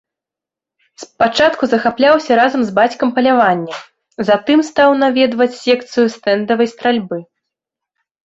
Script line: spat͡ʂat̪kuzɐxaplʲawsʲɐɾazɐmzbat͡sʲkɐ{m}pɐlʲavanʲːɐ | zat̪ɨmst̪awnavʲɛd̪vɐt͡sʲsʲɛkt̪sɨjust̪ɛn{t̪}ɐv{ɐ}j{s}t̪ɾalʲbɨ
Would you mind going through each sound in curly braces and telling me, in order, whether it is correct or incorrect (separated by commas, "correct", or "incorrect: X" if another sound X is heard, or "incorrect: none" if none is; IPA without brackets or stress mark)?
correct, incorrect: d̪, correct, correct